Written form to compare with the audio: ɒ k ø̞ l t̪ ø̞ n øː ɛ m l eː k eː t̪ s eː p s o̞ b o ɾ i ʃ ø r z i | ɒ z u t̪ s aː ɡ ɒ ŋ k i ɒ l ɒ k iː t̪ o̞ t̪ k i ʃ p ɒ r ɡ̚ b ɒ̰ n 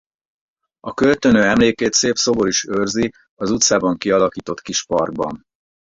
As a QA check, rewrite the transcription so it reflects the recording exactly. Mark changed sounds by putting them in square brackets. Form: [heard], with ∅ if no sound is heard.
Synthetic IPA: ɒ k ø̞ l t̪ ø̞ n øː ɛ m l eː k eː t̪ s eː p s o̞ b o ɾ i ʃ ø r z i | ɒ z u t̪ s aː [b] ɒ ŋ k i ɒ l ɒ k iː t̪ o̞ t̪ k i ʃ p ɒ r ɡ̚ b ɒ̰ n